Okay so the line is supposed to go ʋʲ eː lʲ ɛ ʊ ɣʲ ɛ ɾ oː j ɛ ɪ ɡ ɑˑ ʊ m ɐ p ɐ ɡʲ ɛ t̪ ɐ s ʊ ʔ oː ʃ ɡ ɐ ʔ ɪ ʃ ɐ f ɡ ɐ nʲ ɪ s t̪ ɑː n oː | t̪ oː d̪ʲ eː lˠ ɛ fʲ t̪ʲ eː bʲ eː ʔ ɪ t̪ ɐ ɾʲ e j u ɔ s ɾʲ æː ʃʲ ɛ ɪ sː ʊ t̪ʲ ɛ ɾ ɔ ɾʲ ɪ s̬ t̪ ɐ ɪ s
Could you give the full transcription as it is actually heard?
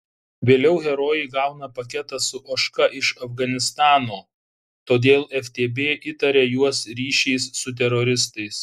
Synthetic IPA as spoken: ʋʲ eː lʲ ɛ ʊ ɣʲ ɛ ɾ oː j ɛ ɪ ɡ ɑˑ ʊ n ɐ p ɐ kʲ ɛ t̪ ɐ s ʊ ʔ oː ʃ k ɐ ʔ ɪ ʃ ɐ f ɡ ɐ nʲ ɪ s t̪ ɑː n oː | t̪ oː d̪ʲ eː lˠ ɛ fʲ t̪ʲ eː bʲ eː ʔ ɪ t̪ ɐ ɾʲ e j u ɔ s ɾʲ iː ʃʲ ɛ ɪ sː ʊ t̪ʲ ɛ ɾ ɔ ɾʲ ɪ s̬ t̪ ɐ ɪ s